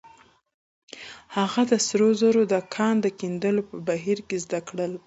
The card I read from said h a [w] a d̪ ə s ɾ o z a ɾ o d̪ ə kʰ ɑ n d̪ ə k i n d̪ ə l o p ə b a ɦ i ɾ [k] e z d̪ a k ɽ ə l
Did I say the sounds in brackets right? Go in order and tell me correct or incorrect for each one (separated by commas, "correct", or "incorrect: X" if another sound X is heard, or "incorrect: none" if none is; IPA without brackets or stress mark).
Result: incorrect: ɣ, correct